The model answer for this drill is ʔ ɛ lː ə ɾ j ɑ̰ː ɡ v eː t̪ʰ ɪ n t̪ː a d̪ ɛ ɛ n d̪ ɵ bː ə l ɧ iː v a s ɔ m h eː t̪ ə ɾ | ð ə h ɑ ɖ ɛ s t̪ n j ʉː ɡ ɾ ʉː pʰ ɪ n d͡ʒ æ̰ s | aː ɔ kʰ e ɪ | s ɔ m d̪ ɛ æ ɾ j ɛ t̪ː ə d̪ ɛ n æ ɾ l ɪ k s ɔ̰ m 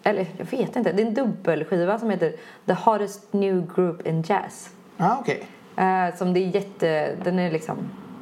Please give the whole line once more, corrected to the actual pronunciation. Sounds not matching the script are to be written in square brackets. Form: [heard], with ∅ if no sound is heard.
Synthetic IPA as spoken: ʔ ɛ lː ə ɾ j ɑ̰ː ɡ v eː [t̪] ɪ n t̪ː [ə] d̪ ɛ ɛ n d̪ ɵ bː ə l ɧ iː v a s ɔ m h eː t̪ ə ɾ | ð ə h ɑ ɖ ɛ s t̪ n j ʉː ɡ ɾ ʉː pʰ ɪ n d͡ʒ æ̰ s | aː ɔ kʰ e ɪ | s ɔ m d̪ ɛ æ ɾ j ɛ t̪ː ə d̪ ɛ n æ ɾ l ɪ k s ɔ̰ m